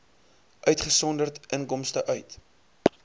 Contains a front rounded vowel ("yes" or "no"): yes